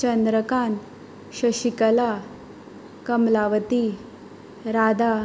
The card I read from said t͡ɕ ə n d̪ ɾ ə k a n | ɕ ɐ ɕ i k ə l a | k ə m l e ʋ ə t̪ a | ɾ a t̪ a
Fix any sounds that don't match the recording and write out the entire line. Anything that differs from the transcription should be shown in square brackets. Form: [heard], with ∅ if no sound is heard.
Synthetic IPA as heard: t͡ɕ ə n d̪ ɾ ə k a n | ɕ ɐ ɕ i k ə l a | k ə m l [a] ʋ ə t̪ [i] | ɾ a [d̪] a